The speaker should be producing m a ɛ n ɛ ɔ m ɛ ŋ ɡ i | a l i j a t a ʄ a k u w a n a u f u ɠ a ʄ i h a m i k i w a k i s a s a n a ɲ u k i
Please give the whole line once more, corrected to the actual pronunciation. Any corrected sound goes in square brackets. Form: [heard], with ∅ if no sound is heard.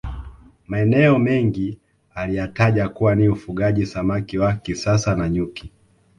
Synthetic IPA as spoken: m a ɛ n ɛ ɔ m ɛ ŋ ɡ i | a l i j a t a ʄ a k u w a n [i] u f u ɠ a ʄ i [s] a m [a] k i w a k i s a s a n a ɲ u k i